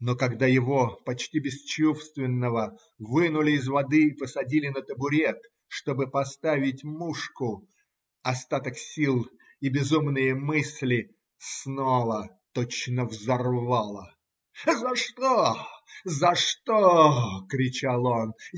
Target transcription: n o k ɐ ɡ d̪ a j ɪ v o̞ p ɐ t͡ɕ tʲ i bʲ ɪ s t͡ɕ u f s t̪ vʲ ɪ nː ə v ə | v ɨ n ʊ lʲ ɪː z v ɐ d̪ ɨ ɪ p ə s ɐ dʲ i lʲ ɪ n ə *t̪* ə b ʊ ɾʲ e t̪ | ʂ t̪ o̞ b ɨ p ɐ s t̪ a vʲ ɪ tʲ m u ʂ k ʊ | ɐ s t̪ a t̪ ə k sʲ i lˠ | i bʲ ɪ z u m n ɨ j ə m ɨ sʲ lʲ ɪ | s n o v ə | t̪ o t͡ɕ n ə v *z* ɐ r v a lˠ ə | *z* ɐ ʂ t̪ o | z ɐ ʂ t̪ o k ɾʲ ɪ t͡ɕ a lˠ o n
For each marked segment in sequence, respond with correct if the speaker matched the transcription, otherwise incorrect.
correct, correct, correct

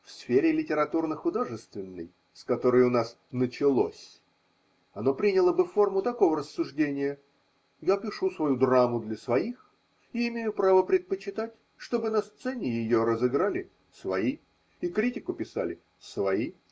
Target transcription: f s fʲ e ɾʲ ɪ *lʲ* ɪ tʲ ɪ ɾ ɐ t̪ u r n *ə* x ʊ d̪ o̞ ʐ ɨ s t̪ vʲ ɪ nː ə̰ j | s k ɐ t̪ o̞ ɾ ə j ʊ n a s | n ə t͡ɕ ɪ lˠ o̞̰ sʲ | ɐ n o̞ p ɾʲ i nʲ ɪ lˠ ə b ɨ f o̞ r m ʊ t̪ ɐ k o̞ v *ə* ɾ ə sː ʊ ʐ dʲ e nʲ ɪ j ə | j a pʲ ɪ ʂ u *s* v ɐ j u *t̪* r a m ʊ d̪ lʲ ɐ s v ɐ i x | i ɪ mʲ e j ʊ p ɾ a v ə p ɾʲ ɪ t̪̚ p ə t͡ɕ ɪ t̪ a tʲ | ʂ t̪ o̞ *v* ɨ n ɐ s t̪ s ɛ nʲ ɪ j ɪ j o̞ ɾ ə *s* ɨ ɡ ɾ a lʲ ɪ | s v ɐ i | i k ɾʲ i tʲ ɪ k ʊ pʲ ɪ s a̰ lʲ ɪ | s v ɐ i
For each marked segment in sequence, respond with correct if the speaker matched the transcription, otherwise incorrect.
correct, correct, correct, correct, incorrect: d̪, incorrect: b, incorrect: z

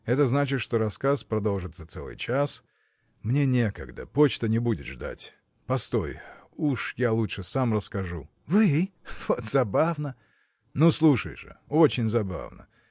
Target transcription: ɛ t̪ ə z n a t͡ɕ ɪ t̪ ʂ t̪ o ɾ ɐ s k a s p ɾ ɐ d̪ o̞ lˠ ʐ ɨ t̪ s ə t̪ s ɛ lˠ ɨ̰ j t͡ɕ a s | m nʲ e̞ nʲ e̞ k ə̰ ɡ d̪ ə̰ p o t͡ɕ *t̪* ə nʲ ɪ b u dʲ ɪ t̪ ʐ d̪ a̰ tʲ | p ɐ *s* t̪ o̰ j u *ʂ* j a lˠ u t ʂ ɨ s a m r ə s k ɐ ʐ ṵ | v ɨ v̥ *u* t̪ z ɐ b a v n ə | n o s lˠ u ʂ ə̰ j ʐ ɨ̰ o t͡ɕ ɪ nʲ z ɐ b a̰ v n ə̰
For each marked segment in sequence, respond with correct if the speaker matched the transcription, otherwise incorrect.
correct, correct, correct, incorrect: o

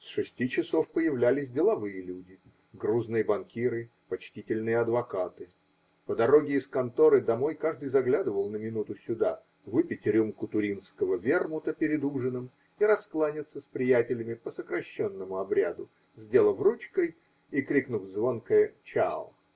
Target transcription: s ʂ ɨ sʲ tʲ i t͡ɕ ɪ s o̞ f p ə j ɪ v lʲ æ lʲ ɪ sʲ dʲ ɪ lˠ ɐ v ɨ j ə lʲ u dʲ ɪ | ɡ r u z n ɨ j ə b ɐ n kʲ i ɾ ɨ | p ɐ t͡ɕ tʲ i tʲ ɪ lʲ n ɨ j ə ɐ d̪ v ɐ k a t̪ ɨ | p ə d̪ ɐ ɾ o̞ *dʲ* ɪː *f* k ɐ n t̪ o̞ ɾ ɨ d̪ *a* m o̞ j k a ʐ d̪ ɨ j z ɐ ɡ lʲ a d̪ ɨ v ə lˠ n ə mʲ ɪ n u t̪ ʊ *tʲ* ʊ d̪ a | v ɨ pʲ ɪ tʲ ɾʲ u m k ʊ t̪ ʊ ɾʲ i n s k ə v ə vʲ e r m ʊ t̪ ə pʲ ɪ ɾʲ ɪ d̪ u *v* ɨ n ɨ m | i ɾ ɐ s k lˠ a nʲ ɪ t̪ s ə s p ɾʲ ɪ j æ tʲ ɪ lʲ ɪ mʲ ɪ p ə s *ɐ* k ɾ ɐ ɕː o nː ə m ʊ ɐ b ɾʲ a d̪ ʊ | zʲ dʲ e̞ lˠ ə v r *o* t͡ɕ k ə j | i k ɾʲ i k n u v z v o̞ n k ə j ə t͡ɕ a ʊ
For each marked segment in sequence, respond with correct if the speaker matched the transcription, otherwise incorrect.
incorrect: ɡʲ, incorrect: s, incorrect: ɐ, incorrect: sʲ, incorrect: ʐ, incorrect: ə, incorrect: u

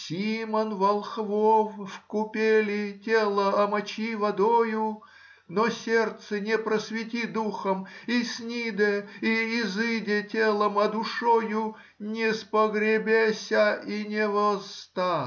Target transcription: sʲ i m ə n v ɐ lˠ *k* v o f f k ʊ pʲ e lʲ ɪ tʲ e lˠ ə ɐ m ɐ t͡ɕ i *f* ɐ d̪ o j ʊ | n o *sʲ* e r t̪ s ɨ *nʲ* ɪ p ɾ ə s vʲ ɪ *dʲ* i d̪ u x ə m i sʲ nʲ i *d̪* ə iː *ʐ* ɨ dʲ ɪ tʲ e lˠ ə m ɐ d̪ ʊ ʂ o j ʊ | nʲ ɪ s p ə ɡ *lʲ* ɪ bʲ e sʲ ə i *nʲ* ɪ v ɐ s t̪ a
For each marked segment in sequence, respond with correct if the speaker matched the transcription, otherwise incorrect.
incorrect: x, incorrect: v, correct, correct, incorrect: tʲ, correct, incorrect: z, incorrect: ɾʲ, correct

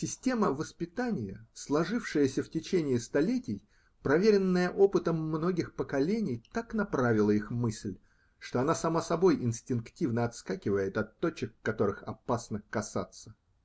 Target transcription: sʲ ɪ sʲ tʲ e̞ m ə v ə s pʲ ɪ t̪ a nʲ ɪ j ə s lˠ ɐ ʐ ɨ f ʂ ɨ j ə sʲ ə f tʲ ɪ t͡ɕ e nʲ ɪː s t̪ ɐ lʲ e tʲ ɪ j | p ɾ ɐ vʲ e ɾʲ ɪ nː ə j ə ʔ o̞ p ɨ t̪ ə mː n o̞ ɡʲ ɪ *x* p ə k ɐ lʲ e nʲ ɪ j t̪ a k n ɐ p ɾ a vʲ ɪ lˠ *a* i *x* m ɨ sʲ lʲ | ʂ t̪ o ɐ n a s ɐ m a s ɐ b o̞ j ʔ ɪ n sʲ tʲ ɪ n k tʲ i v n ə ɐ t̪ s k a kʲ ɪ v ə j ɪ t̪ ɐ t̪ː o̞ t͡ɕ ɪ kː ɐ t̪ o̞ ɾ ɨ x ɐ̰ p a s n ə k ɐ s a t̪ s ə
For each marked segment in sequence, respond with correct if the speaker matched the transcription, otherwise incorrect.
correct, incorrect: ə, correct

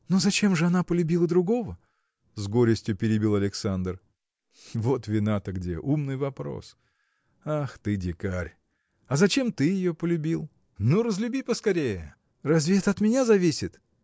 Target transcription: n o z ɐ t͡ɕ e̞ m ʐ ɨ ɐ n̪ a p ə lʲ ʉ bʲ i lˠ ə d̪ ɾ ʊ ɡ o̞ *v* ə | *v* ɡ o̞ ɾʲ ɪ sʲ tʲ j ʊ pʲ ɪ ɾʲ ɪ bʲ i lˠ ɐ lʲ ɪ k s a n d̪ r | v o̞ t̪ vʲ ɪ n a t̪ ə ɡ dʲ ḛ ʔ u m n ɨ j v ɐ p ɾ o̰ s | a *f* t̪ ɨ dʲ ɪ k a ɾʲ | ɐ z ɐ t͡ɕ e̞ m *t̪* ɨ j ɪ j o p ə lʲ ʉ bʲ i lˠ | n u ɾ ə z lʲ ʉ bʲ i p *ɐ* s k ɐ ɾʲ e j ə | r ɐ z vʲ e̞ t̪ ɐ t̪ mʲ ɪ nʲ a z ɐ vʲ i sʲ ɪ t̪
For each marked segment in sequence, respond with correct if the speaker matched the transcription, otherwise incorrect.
correct, incorrect: z, incorrect: x, correct, incorrect: ə

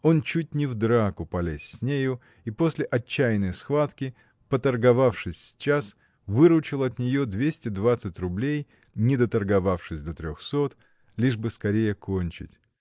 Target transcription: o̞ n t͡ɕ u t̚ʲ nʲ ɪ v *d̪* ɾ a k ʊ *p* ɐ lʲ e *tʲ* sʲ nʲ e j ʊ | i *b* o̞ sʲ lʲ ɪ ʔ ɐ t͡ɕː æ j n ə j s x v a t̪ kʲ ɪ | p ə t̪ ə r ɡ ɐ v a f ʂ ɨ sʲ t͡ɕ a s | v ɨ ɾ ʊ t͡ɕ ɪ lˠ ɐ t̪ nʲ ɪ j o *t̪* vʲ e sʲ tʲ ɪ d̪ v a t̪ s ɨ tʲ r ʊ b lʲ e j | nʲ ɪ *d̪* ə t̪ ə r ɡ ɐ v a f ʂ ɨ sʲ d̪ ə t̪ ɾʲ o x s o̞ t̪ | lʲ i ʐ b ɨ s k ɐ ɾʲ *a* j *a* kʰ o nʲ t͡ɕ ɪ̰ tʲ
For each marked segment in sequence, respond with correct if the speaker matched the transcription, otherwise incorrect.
correct, correct, incorrect: sʲ, incorrect: p, incorrect: d̪, correct, incorrect: e, incorrect: ə

